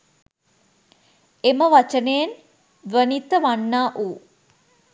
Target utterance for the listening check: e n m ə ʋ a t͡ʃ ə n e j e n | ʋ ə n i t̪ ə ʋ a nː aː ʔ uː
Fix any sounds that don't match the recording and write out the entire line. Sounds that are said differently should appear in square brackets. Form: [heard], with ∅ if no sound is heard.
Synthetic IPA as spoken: e [∅] m ə ʋ a t͡ʃ ə n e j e n | ʋ ə n i t̪ ə ʋ a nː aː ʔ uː